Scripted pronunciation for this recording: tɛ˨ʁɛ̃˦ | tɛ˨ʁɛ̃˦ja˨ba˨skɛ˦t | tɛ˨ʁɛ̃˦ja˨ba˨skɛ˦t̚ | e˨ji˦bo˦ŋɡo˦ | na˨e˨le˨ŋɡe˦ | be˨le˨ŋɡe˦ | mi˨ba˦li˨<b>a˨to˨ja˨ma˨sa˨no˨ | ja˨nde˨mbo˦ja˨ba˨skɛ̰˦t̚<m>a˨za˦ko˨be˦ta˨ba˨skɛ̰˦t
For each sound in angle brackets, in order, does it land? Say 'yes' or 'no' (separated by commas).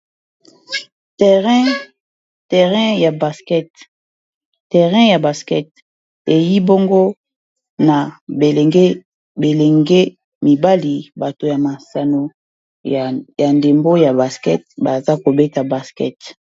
yes, no